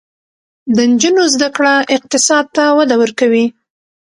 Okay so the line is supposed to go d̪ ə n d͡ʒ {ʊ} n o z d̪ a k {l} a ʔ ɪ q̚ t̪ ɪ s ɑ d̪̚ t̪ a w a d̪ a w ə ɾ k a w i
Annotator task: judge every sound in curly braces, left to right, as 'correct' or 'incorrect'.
incorrect, incorrect

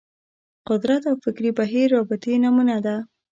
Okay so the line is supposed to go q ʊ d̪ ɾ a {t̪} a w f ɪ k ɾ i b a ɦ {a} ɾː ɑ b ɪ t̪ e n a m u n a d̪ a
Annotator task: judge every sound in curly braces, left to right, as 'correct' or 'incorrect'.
correct, incorrect

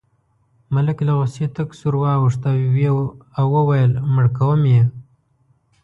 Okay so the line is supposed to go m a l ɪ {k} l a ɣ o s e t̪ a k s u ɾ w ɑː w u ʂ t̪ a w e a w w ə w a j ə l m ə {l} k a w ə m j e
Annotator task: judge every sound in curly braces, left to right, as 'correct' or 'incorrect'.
correct, incorrect

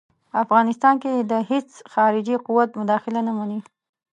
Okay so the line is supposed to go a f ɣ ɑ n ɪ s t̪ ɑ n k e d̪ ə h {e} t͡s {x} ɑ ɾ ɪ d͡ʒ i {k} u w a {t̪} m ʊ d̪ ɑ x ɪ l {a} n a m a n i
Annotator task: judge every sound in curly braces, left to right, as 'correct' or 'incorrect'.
correct, correct, incorrect, correct, correct

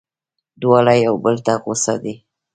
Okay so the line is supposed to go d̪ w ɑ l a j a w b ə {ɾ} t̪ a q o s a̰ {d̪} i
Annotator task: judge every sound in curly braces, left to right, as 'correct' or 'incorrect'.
incorrect, correct

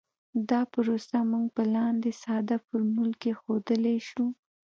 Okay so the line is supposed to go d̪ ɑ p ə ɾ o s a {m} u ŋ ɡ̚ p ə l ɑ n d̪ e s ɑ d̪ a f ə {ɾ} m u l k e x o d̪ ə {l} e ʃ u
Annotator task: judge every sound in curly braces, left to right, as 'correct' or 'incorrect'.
correct, correct, correct

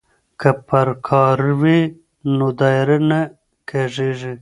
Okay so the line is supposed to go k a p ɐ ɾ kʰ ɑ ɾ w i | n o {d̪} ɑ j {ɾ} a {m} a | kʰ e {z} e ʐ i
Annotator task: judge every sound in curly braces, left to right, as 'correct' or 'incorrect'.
correct, correct, incorrect, incorrect

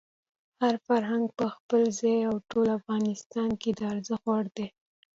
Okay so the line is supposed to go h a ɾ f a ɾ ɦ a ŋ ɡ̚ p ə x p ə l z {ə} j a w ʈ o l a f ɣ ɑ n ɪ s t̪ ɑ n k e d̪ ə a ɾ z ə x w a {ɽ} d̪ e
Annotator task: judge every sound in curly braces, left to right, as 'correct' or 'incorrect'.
incorrect, correct

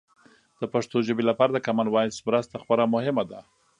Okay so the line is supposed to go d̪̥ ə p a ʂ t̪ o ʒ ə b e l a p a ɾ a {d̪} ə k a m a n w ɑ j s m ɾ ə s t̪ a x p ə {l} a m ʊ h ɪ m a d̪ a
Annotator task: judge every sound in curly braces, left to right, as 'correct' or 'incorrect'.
correct, incorrect

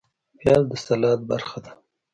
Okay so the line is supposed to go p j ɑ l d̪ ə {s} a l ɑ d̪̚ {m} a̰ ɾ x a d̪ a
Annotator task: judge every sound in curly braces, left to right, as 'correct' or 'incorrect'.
correct, incorrect

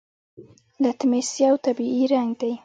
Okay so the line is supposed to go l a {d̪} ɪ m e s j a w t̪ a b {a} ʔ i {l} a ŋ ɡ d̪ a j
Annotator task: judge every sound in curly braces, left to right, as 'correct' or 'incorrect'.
incorrect, incorrect, incorrect

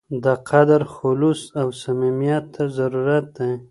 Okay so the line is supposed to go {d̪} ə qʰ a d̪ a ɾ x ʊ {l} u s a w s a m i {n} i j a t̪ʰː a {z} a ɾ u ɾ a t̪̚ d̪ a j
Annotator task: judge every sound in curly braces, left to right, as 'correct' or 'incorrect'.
correct, correct, incorrect, correct

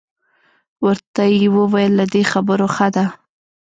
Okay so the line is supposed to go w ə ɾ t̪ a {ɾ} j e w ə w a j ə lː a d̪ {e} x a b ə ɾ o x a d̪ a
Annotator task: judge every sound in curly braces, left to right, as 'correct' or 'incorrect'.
incorrect, correct

